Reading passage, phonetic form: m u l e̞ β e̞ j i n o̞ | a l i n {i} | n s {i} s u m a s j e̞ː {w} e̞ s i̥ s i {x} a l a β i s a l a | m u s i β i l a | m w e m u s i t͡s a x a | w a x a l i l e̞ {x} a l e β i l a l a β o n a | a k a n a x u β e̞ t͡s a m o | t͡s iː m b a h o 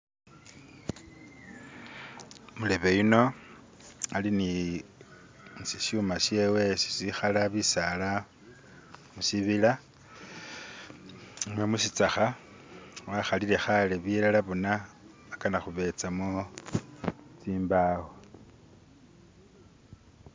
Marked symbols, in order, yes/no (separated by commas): yes, yes, yes, yes, yes